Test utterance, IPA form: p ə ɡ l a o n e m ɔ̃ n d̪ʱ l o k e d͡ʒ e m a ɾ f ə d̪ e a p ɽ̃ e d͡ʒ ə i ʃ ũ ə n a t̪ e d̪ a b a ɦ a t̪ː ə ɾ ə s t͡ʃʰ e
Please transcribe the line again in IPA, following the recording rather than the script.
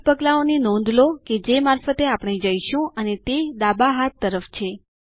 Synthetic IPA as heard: p ə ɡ l a o n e n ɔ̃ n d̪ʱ l o k e d͡ʒ e m a ɾ f ə t̪ e a p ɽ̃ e d͡ʒ ə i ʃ ũ ə n e t̪ e d̪ a b a ɦ a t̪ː ə ɾ ə f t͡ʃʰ e